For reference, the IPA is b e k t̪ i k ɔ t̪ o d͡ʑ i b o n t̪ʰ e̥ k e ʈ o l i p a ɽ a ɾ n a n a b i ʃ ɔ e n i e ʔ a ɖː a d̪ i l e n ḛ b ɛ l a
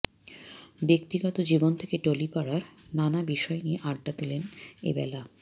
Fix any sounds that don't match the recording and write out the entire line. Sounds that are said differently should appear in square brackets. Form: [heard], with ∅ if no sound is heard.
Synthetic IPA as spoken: b e k t̪ i [ɡ] ɔ t̪ o d͡ʑ i b o n t̪ʰ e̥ k e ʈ o l i p a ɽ a ɾ n a n a b i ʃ ɔ e n i e ʔ a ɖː a d̪ i l e n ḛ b ɛ l a